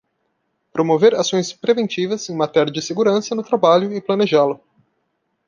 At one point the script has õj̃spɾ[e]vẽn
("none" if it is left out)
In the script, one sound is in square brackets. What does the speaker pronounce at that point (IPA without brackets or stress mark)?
e